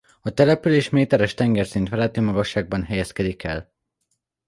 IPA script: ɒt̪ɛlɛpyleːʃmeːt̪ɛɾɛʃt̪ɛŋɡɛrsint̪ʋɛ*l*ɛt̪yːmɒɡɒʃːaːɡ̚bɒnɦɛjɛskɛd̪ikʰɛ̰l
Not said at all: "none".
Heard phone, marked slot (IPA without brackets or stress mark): l